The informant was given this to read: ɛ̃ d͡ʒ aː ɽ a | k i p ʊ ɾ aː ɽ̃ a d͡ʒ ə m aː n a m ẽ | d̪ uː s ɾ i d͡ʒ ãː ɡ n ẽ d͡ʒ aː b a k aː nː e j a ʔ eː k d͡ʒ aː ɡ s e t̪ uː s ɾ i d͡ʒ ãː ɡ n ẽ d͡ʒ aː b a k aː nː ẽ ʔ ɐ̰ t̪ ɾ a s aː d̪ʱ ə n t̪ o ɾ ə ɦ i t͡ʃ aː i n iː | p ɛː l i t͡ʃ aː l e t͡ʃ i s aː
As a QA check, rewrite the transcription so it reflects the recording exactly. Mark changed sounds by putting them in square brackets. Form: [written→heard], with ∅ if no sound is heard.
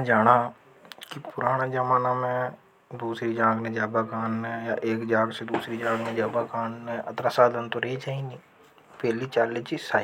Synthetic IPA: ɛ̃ d͡ʒ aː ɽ a | k i p ʊ ɾ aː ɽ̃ a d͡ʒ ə m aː n a m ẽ | d̪ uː s ɾ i d͡ʒ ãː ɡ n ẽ d͡ʒ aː b a k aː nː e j a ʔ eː k d͡ʒ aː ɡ s e [t̪→d̪] uː s ɾ i d͡ʒ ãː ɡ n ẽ d͡ʒ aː b a k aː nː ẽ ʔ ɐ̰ t̪ ɾ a s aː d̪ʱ ə n t̪ o ɾ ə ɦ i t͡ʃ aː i n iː | p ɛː l i t͡ʃ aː l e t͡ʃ i s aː